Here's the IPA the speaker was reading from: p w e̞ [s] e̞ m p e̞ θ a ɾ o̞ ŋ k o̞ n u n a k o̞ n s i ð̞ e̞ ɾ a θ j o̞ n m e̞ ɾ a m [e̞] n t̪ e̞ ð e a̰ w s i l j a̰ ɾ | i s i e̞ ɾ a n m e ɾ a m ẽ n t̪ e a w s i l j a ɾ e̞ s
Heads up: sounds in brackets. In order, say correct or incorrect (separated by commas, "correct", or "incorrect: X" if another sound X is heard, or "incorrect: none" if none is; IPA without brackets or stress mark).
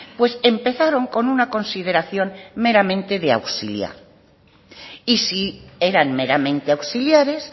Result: correct, incorrect: ẽ̞